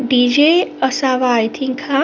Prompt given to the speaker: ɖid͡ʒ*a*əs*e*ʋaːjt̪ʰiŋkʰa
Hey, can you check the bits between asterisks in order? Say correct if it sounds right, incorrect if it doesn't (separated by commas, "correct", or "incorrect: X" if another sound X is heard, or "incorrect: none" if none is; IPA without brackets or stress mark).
incorrect: e, incorrect: a